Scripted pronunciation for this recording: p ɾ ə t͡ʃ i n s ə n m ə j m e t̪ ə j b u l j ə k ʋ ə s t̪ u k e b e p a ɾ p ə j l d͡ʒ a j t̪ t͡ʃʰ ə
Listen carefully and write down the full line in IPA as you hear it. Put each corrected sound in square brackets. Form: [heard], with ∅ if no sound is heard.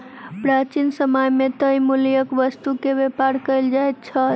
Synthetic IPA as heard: p ɾ [a] t͡ʃ i n s ə [∅] m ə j m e t̪ ə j [m] u l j ə k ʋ ə s t̪ u k e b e p a ɾ [k] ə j l d͡ʒ a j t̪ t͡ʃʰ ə

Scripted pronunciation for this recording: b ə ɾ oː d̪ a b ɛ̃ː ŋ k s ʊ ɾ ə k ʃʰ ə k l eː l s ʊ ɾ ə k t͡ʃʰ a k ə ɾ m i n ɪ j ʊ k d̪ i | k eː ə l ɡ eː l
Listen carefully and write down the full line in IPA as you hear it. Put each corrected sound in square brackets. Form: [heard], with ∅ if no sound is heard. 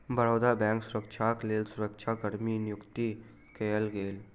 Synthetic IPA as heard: b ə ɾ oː d̪ a b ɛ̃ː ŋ k s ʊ ɾ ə k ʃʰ [a] k l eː l s ʊ ɾ ə k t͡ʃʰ a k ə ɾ m i n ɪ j ʊ k [t̪] i | k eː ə l ɡ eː l

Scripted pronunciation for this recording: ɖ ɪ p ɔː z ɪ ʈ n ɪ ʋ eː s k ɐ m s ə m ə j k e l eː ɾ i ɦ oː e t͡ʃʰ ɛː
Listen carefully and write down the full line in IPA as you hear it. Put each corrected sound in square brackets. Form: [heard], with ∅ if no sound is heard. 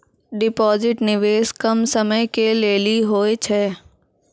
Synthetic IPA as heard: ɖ ɪ p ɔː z ɪ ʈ n ɪ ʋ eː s k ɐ m s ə m ə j k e l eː [l] i ɦ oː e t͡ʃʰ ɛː

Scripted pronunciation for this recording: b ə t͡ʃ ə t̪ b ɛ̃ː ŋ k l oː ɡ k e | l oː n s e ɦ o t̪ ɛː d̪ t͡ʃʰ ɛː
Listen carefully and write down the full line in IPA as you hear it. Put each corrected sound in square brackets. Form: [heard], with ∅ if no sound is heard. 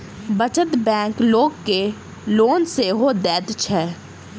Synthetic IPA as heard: b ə t͡ʃ ə t̪ b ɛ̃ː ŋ k l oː ɡ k e | l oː n s e ɦ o [d̪] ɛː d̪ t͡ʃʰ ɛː

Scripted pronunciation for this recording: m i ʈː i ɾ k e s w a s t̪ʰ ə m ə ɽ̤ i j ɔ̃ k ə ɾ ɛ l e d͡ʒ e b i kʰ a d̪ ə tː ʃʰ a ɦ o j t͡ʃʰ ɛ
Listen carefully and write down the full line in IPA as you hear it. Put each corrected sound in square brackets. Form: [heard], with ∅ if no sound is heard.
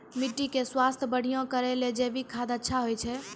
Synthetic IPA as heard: m i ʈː i [∅] k e s w a s t̪ʰ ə [b] ə ɽ̤ i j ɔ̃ k ə ɾ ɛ l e d͡ʒ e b i kʰ a d̪ ə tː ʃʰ a ɦ o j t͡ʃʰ ɛ

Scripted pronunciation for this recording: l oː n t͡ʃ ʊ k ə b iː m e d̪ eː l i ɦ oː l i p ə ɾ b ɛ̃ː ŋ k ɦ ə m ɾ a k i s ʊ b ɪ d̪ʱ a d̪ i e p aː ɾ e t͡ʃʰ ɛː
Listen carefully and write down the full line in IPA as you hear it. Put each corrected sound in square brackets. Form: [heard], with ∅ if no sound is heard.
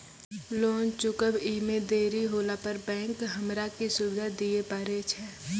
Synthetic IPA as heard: l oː n t͡ʃ ʊ k ə b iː m e d̪ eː [ɾ] i ɦ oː l [a] p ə ɾ b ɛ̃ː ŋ k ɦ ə m ɾ a k i s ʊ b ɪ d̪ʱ a d̪ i e p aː ɾ e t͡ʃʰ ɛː

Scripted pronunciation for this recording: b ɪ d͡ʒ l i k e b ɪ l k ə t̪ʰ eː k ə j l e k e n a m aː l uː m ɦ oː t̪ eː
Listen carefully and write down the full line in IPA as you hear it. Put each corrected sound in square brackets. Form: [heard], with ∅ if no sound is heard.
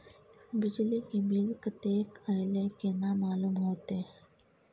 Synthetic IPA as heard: b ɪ d͡ʒ l i k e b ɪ l k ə [t̪] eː k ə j l e k e n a m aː l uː m ɦ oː t̪ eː

